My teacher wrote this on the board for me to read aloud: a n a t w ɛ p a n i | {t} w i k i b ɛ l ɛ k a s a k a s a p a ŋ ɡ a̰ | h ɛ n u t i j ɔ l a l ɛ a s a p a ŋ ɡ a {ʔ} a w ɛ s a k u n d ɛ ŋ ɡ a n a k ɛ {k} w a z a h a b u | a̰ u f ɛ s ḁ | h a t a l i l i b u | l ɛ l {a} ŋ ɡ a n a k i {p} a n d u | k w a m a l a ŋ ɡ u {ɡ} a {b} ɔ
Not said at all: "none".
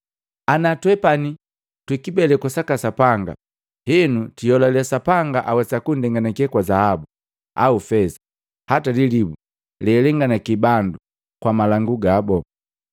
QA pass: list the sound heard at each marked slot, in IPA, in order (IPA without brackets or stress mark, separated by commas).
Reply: t, ʔ, k, ɛ, b, ɡ, b